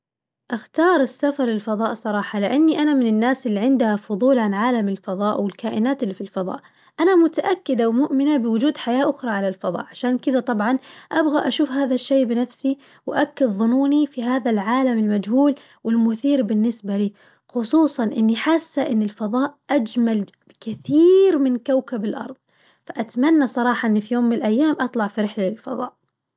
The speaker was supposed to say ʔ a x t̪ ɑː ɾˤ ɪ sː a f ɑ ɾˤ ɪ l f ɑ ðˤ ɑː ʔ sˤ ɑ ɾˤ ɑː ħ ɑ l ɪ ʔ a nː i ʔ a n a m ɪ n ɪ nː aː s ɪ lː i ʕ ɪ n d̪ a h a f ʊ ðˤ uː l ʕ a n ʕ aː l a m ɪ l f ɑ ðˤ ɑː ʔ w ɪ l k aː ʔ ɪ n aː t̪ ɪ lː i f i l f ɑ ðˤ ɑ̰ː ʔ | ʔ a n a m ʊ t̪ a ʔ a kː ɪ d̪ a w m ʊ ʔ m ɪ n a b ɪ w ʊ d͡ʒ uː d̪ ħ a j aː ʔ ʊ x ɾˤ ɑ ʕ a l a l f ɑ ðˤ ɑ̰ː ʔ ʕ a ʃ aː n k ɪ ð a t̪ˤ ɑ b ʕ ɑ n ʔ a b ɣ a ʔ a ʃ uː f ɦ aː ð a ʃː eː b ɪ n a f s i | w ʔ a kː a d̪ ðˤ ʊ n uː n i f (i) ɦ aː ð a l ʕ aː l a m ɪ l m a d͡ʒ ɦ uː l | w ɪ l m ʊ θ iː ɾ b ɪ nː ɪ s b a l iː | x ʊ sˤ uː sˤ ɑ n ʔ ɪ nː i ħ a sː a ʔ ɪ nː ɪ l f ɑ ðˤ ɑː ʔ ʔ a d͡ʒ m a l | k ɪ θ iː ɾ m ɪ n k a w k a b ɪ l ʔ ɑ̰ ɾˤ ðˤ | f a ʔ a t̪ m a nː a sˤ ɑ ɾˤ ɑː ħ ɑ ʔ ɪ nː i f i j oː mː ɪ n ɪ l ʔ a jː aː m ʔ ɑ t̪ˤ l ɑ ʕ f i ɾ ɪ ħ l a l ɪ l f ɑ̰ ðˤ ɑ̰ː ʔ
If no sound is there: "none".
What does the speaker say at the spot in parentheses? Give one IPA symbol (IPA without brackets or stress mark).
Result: i